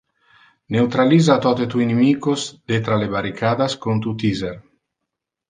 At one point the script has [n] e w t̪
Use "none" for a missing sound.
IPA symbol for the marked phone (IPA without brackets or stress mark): n